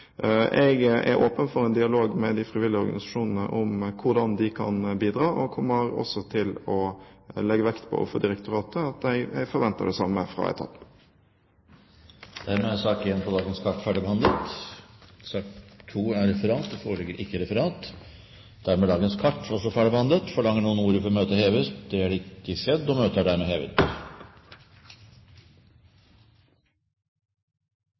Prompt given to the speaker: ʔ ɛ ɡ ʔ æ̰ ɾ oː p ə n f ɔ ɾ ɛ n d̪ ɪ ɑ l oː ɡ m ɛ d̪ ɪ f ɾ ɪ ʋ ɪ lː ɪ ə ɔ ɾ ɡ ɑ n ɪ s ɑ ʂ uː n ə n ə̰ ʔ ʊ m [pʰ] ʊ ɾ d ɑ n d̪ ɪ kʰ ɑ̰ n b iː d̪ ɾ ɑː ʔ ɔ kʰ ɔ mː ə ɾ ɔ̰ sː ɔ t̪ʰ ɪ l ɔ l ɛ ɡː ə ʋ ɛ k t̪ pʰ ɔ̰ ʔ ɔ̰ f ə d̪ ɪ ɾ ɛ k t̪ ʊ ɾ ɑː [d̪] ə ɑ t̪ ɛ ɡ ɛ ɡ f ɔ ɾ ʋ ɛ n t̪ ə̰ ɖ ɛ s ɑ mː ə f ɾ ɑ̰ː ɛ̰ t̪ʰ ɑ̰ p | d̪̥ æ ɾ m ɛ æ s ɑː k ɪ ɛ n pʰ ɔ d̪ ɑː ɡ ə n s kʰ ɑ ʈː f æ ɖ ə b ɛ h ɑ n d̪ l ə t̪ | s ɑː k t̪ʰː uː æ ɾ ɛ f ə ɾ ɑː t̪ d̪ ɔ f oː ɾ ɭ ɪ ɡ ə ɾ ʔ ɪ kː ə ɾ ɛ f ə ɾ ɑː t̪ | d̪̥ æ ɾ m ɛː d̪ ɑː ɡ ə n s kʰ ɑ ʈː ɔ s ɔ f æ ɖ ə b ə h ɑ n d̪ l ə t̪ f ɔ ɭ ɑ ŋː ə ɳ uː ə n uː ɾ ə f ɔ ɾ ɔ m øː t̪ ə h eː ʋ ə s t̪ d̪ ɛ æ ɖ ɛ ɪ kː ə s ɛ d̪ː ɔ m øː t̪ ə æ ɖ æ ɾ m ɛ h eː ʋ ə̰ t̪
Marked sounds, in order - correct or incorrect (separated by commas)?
incorrect, incorrect